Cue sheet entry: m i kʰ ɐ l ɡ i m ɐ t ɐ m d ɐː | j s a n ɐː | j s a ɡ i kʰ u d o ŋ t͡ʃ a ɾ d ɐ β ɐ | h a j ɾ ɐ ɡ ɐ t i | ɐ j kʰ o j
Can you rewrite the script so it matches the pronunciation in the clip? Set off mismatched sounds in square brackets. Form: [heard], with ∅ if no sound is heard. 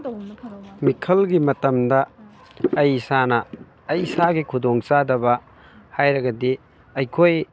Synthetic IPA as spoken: m i kʰ ɐ l ɡ i m ɐ t ɐ m d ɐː | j s a n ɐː | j s a ɡ i kʰ u d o ŋ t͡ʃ a [∅] d ɐ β ɐ | h a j ɾ ɐ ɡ ɐ [d] i | ɐ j kʰ o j